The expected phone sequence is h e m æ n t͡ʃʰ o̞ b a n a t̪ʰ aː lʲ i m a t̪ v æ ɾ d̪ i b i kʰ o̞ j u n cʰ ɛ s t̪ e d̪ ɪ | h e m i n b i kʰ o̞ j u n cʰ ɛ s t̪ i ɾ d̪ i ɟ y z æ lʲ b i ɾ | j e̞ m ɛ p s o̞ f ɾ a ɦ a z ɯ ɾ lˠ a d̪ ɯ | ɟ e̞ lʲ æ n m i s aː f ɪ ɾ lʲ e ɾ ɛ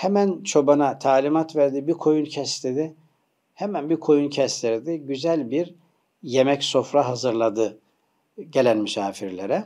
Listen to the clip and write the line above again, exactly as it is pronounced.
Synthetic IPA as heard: h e m æ n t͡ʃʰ o̞ b a n a t̪ʰ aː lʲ i m a t̪ v æ ɾ d̪ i b i kʰ o̞ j u n cʰ ɛ s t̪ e d̪ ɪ | h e m æ n b i kʰ o̞ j u n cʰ ɛ s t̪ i ɾ d̪ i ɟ y z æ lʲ b i ɾ | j e̞ m ɛ c s o̞ f ɾ a ɦ a z ɯ ɾ lˠ a d̪ ɯ | ɟ e̞ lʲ æ n m y s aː f i ɾ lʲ e ɾ ɛ